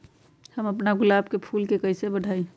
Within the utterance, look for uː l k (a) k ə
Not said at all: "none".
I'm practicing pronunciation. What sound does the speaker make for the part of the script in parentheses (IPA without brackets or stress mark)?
e